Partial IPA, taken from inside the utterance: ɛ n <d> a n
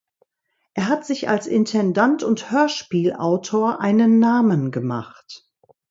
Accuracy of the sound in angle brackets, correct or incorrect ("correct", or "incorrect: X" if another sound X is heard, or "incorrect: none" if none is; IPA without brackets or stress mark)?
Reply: correct